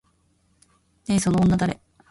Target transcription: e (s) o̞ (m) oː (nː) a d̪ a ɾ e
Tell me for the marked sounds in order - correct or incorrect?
correct, incorrect: n, correct

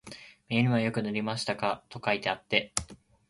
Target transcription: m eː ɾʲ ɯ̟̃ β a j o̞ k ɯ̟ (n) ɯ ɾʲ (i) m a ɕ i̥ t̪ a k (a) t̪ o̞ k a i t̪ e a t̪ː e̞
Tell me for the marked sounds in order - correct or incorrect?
correct, correct, correct

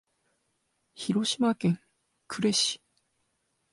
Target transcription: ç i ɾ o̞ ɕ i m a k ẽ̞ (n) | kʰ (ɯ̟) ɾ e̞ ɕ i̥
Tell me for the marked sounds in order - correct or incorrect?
incorrect: ŋ, correct

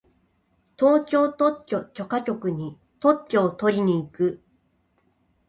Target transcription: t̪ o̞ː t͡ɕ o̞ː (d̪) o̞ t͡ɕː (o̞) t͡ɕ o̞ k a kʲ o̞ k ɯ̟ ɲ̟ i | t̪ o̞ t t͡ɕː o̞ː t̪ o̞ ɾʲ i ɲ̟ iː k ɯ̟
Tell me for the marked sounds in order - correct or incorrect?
incorrect: t̪, correct

